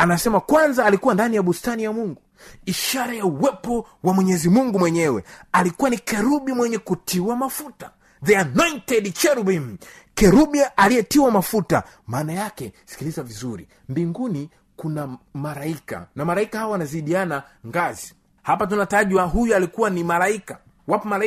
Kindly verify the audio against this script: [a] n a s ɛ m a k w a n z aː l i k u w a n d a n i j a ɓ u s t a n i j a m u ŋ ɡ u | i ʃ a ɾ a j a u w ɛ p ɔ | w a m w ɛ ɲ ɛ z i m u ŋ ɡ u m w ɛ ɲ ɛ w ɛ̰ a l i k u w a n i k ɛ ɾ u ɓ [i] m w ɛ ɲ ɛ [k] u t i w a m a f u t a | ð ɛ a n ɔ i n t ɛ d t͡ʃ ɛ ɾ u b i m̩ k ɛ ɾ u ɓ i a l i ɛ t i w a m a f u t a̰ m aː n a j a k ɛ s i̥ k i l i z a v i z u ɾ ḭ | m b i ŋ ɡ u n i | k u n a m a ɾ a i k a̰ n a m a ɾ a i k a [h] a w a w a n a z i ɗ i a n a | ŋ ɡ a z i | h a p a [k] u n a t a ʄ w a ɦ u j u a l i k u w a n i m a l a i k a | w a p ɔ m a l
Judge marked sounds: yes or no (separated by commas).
yes, yes, yes, yes, no